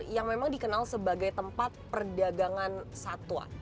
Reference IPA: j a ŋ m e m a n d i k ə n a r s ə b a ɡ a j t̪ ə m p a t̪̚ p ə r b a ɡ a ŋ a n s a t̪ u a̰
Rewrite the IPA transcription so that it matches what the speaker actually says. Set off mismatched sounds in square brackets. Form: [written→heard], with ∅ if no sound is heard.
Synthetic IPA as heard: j a ŋ m e m a [n→ŋ] d i k ə n a [r→l] s ə b a ɡ a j t̪ ə m p a t̪̚ p ə r [b→d] a ɡ a ŋ a n s a t̪ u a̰